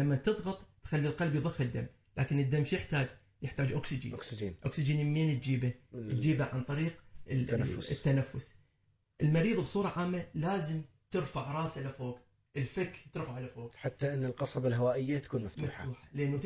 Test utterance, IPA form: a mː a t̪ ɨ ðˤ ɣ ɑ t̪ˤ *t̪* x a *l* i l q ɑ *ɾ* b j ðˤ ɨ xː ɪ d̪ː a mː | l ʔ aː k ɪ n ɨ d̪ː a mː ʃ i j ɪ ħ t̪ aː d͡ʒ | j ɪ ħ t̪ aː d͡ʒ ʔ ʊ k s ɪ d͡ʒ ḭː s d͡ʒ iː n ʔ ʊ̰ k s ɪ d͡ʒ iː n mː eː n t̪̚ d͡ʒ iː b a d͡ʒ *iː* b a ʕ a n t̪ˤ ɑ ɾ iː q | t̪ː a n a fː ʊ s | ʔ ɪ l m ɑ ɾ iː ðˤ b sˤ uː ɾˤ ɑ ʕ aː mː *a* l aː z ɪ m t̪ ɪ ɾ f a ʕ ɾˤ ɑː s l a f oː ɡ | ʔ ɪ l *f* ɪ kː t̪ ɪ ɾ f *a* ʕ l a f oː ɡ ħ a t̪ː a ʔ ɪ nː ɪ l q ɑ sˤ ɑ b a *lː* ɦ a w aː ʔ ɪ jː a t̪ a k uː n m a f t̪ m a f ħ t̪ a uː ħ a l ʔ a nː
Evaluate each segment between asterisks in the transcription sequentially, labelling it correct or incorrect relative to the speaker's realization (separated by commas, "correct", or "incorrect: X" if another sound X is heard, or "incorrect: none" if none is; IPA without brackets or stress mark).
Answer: correct, incorrect: lː, incorrect: l, correct, correct, correct, correct, incorrect: l